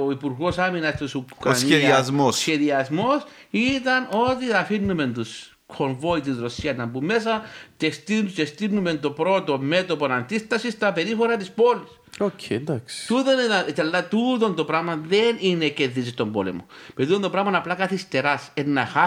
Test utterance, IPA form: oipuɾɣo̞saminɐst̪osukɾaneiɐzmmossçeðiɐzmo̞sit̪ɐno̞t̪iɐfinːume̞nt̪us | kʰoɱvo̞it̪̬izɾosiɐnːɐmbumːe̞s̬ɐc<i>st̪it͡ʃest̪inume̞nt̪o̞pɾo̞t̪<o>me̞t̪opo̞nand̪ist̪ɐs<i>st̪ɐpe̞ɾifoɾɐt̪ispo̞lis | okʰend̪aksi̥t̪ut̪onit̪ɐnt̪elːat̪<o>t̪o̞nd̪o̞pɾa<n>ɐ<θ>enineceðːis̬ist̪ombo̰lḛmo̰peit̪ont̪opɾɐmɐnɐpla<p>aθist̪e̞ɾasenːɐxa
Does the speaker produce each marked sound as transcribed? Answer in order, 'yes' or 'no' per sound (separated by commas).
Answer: no, yes, yes, no, no, no, no